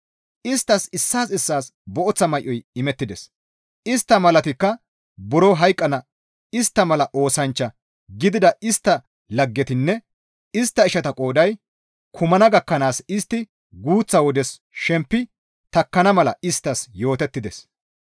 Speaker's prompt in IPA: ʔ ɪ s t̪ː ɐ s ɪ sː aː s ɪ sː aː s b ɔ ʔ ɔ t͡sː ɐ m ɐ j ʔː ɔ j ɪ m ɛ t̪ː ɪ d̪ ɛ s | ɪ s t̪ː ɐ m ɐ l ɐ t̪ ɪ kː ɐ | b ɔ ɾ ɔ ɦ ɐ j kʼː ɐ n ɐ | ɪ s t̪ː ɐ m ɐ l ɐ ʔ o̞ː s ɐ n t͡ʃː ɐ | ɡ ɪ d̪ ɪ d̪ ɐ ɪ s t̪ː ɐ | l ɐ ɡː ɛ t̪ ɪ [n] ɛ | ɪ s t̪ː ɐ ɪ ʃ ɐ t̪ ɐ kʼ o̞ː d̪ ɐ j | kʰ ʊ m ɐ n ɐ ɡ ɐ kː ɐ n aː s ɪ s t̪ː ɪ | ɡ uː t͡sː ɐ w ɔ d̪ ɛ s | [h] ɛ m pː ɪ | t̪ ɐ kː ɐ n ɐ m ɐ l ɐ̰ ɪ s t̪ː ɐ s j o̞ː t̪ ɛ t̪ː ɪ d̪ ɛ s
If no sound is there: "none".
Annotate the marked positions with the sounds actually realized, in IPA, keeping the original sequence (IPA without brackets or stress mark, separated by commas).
nː, ʃ